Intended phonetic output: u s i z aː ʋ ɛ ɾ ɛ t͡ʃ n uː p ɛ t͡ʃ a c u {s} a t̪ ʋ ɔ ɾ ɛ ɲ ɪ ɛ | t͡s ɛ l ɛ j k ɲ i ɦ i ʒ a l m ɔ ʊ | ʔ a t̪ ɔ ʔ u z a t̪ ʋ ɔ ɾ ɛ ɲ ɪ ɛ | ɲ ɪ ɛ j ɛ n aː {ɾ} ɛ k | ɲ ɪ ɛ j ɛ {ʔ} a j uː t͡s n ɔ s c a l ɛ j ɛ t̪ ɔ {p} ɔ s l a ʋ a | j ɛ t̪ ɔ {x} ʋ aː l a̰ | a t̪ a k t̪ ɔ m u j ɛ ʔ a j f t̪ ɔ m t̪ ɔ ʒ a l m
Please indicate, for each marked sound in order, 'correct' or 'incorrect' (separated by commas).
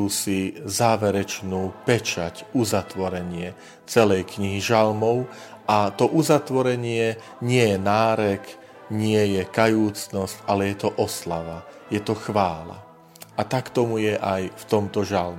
incorrect, correct, incorrect, incorrect, correct